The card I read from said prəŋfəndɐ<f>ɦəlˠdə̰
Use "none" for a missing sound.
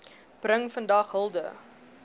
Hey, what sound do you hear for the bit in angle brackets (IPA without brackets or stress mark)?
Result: χ